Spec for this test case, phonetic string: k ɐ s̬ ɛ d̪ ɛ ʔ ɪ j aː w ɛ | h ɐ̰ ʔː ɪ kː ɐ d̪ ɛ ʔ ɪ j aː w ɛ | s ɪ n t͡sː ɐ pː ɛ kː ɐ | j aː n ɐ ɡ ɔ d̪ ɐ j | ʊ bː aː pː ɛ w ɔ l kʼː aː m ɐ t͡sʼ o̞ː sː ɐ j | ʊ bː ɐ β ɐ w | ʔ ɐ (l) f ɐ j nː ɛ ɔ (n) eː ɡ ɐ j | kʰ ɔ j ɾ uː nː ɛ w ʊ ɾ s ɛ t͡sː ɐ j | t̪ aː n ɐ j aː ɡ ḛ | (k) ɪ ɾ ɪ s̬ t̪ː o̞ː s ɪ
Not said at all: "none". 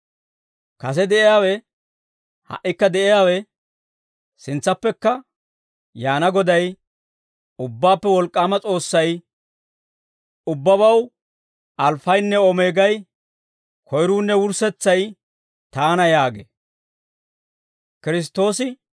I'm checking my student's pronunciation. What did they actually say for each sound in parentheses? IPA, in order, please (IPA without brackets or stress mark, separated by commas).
l, m, k